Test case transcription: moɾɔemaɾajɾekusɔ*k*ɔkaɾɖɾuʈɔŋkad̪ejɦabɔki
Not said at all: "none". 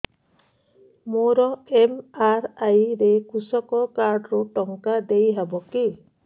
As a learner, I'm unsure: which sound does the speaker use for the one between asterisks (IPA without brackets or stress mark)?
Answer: k